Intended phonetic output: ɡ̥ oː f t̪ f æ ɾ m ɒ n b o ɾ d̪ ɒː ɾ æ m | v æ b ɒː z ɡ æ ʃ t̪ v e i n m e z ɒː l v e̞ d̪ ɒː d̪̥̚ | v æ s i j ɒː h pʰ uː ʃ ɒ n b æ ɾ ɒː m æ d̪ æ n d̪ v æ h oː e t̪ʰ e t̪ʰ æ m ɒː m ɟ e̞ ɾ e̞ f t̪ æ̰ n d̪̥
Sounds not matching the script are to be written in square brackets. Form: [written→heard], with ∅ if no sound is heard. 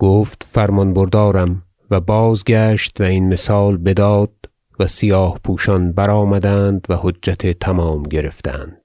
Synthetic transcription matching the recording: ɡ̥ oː f t̪ f æ ɾ m ɒ n b o ɾ d̪ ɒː ɾ æ m | v æ b ɒː z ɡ æ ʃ t̪ v [e→æ] i n m e [z→s] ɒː l [v→b] e̞ d̪ ɒː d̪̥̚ | v æ s i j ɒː h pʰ uː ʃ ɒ n b æ ɾ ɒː m æ d̪ æ n d̪ v æ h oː [e→æ] t̪ʰ e t̪ʰ æ m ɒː m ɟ e̞ ɾ e̞ f t̪ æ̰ n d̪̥